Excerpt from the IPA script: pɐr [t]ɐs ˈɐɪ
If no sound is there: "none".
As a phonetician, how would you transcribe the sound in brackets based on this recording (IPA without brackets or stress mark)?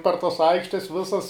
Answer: t